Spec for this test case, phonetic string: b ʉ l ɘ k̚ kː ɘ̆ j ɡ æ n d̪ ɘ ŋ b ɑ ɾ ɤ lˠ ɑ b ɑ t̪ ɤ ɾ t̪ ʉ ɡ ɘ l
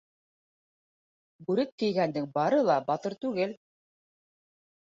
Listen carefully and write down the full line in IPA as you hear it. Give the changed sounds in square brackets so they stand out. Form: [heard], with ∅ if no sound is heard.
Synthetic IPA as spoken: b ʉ [ɾ] ɘ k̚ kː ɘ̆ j ɡ æ n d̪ ɘ ŋ b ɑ ɾ ɤ lˠ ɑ b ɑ t̪ ɤ ɾ t̪ ʉ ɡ ɘ l